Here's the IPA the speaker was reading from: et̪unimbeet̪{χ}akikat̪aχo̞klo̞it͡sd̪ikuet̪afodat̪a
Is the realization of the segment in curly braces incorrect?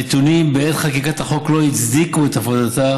no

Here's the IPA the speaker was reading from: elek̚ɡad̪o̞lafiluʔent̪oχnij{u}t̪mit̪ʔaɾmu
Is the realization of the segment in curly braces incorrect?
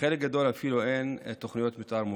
yes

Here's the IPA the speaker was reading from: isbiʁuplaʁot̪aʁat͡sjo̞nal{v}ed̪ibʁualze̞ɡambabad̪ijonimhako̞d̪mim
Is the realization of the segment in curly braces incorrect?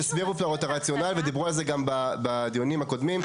no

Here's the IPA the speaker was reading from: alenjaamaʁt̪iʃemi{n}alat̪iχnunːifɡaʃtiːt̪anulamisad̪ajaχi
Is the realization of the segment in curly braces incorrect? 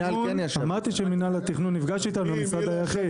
no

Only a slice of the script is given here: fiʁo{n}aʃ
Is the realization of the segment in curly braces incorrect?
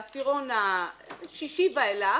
no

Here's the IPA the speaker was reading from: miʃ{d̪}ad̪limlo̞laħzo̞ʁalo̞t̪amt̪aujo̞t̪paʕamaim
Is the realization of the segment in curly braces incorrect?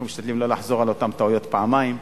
yes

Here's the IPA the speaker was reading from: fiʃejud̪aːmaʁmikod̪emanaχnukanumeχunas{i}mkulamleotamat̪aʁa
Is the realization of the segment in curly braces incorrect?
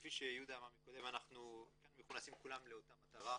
no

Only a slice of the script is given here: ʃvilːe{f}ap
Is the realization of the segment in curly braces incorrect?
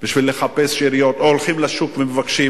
yes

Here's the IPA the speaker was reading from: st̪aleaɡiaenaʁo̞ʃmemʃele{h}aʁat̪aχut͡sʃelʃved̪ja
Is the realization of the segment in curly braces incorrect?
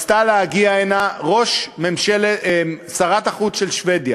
yes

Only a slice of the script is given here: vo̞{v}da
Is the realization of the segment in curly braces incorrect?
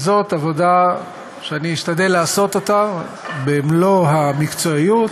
yes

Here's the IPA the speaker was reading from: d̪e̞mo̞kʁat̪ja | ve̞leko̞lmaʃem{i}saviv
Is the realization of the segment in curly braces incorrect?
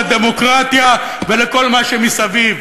no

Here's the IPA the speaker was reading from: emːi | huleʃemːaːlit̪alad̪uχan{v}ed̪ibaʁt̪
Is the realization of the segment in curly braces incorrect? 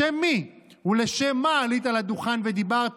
no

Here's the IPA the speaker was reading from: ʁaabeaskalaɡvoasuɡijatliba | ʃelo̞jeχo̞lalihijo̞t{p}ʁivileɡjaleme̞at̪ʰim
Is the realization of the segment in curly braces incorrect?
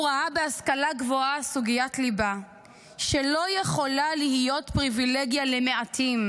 no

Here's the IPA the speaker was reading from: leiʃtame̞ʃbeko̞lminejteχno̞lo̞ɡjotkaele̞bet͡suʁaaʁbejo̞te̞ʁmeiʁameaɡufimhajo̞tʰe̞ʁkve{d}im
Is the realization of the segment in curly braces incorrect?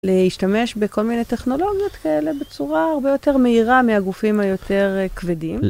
no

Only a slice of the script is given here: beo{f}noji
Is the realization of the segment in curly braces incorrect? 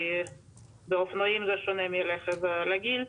no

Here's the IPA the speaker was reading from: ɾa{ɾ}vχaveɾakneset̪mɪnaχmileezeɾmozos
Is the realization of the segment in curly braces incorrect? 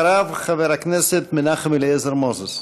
yes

